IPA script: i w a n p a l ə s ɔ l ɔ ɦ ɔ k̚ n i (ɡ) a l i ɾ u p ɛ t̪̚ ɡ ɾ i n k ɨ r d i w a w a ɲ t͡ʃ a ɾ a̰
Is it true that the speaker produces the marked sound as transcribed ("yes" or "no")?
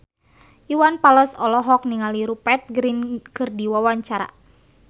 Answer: no